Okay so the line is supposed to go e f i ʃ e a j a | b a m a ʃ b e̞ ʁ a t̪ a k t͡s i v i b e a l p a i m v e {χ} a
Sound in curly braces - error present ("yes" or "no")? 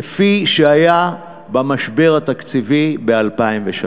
yes